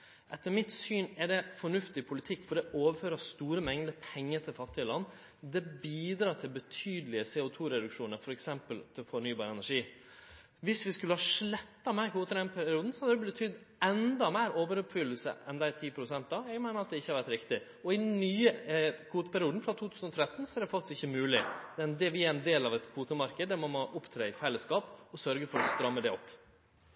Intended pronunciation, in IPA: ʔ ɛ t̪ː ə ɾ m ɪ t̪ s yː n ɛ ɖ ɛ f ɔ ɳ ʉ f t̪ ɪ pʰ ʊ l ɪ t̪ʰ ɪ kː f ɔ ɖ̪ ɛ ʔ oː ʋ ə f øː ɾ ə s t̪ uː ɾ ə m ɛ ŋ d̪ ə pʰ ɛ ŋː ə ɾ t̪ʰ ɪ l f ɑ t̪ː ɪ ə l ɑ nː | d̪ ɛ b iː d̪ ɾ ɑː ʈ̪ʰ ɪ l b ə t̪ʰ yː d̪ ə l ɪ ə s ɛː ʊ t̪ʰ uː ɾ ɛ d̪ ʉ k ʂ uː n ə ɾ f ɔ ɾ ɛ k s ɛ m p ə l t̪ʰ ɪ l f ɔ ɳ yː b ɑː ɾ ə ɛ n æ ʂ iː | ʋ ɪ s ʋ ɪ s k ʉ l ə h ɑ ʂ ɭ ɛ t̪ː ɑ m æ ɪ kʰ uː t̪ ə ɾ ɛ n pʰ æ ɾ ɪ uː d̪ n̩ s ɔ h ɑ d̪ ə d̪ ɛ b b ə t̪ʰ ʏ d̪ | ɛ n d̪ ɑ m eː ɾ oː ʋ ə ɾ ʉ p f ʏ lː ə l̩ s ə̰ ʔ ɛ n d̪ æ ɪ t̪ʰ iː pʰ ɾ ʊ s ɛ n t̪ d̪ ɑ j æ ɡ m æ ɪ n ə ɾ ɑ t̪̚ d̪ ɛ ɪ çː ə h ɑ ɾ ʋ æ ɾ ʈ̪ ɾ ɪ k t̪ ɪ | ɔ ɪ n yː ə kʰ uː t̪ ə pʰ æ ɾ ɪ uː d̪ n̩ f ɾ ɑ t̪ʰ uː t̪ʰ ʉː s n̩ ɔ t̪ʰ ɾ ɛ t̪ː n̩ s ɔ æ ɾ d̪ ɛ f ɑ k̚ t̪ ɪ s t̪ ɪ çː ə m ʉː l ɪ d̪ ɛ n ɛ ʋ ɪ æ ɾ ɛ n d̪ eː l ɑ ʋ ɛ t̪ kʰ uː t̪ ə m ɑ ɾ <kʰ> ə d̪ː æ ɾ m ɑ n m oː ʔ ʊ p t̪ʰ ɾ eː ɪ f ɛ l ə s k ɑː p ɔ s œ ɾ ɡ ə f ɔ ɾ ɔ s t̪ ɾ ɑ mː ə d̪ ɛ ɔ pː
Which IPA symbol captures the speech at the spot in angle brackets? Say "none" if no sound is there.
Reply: k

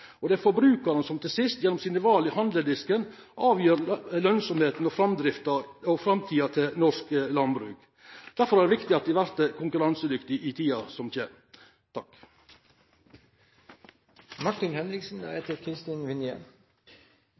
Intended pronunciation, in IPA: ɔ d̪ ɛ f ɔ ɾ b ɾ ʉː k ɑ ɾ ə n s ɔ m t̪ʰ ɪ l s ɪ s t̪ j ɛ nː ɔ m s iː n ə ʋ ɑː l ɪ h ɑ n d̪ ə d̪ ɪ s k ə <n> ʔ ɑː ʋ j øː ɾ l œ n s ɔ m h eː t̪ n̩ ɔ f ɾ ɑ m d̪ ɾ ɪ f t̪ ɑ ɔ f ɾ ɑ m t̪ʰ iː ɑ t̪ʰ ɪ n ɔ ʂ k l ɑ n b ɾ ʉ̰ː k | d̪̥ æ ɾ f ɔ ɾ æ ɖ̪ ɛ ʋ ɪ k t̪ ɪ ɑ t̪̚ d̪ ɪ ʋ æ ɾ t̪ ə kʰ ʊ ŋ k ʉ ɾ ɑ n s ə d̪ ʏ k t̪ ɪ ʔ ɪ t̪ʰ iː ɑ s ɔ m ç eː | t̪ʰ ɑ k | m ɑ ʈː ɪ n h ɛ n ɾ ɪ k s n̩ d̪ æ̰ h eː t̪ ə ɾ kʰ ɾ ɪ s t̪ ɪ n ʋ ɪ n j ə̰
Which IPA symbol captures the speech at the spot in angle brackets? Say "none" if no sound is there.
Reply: n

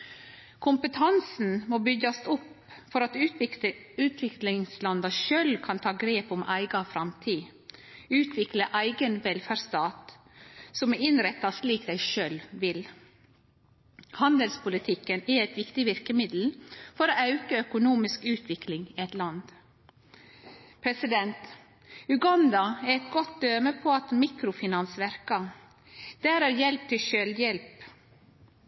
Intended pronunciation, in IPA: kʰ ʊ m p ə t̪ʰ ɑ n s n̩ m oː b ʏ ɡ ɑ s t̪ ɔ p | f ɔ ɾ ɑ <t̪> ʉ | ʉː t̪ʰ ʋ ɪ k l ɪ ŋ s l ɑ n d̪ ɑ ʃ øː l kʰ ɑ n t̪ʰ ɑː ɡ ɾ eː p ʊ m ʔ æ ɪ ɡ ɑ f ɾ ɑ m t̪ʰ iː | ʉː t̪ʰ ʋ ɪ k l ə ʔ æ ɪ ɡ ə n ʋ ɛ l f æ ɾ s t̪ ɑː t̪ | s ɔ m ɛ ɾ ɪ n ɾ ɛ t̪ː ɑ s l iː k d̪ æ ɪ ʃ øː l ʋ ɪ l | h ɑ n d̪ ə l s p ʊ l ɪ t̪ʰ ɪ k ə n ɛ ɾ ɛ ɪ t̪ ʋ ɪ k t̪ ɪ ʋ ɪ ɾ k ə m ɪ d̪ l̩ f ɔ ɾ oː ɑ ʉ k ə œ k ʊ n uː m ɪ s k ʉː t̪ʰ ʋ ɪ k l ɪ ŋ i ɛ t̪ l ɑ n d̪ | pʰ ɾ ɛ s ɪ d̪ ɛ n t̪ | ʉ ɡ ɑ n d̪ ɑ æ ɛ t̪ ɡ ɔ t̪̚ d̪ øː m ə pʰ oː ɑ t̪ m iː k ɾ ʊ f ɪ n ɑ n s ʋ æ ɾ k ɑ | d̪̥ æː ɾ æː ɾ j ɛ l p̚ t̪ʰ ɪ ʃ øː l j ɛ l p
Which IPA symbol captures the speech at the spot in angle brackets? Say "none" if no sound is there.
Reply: t̪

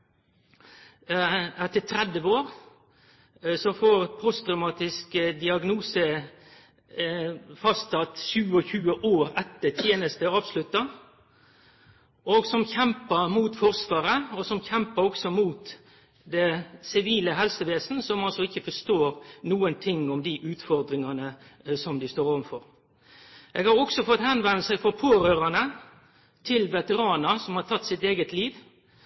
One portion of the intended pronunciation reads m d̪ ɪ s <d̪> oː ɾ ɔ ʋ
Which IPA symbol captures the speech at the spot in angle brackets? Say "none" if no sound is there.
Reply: t̪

